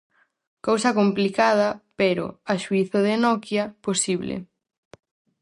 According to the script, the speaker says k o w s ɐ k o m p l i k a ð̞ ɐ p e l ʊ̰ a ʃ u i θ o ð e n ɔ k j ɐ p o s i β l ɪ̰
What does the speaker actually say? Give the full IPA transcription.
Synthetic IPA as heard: k o w s ɐ k o m p l i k a ð̞ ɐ p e ɾ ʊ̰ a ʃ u i θ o ð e n ɔ k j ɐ p o s i β l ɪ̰